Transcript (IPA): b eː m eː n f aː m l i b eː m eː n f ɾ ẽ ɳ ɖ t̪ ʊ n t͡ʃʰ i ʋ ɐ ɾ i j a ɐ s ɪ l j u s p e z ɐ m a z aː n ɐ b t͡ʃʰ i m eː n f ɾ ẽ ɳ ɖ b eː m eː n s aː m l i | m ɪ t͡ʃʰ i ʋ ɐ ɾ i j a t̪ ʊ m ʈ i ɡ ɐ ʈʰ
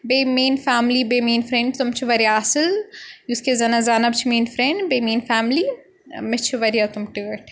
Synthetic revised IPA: b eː m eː n f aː m l i b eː m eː n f ɾ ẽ ɳ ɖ t̪ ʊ m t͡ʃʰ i ʋ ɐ ɾ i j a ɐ s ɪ l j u s k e z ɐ n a z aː n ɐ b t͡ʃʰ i m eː n f ɾ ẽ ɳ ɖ b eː m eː n f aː m l i | m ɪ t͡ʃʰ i ʋ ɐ ɾ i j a t̪ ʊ m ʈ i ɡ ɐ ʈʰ